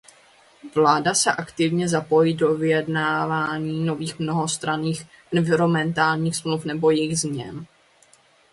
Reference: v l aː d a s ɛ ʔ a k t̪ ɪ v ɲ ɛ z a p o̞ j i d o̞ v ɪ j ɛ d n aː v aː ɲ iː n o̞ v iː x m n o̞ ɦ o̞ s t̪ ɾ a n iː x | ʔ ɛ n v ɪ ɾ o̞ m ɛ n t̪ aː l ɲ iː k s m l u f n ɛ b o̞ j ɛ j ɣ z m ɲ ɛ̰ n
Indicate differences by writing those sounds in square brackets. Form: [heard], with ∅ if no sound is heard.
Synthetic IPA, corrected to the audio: v l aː d a s ɛ ʔ a k t̪ ɪ v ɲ ɛ z a p o̞ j i d o̞ v ɪ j ɛ d n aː v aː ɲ iː n o̞ v iː x m n o̞ ɦ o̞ s t̪ ɾ a n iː x | ʔ ɛ n v ɪ ɾ o̞ m ɛ n t̪ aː l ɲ iː [x] s m l u f n ɛ b o̞ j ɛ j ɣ z m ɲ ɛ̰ n